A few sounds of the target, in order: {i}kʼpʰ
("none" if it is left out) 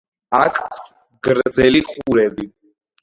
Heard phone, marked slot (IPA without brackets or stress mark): a